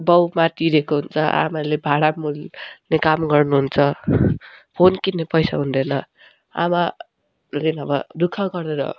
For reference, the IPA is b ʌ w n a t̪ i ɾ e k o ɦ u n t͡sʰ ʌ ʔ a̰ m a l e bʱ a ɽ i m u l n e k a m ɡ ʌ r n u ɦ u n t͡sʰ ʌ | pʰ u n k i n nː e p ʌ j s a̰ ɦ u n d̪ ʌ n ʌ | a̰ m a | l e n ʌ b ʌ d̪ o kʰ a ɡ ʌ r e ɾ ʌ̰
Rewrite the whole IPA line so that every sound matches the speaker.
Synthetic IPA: b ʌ w m a t̪ i ɾ e k o ɦ u n t͡sʰ ʌ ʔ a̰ m a l e bʱ a ɽ a m u l n e k a m ɡ ʌ r n u ɦ u n t͡sʰ ʌ | pʰ o n k i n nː e p ʌ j s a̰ ɦ u n d̪ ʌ n ʌ | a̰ m a | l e n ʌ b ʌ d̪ u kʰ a ɡ ʌ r e ɾ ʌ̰